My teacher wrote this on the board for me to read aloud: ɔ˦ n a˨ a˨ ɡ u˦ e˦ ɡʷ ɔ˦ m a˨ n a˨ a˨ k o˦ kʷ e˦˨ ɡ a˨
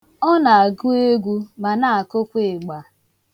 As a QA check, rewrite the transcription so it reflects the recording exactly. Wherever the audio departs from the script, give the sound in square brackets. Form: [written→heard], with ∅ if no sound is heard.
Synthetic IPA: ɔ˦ n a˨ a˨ ɡ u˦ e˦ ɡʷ [ɔ˦→u˦] m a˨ n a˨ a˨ k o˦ kʷ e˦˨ [ɡ→ɡ͡b] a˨